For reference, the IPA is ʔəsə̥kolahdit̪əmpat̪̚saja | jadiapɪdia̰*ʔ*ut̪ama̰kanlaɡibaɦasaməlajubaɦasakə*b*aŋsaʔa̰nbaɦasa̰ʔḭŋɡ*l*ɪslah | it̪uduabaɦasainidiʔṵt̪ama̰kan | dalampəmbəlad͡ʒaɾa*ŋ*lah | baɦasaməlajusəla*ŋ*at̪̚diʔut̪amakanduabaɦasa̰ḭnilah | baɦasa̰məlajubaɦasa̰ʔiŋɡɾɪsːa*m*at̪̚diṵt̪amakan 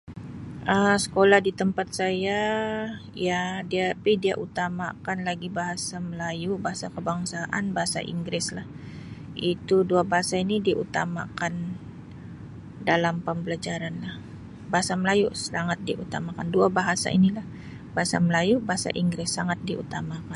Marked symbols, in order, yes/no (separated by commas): yes, yes, no, no, yes, no